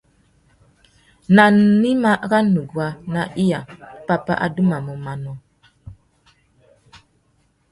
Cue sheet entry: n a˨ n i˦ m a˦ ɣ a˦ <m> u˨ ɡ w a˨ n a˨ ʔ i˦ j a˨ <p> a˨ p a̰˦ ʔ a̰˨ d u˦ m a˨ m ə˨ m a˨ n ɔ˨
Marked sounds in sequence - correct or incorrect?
incorrect, correct

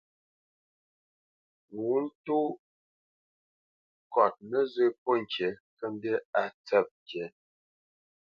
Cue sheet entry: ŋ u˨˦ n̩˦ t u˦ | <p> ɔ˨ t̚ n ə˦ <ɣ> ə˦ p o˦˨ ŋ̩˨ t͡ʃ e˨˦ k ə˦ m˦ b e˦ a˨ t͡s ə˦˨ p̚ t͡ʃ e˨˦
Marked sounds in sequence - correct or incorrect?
incorrect, incorrect

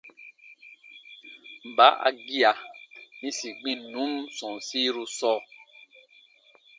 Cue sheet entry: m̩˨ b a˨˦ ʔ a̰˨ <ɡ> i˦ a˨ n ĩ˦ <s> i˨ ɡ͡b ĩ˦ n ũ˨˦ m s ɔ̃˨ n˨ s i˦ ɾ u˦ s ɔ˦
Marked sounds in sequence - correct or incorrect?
correct, correct

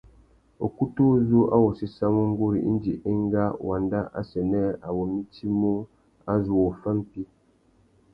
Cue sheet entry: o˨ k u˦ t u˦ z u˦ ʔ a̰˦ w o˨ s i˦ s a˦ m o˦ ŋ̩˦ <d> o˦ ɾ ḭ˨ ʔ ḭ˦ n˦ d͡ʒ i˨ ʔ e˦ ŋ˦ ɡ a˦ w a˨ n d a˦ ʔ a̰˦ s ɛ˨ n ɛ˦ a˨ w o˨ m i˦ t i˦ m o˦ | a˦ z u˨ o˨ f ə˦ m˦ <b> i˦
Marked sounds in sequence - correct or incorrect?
incorrect, incorrect

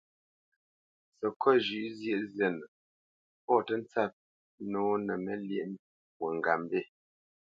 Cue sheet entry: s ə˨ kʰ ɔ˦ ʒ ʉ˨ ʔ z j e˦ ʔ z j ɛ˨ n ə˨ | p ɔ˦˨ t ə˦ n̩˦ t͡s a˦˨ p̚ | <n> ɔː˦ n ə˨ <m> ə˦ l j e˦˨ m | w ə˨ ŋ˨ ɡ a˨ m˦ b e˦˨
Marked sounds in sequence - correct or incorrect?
correct, correct

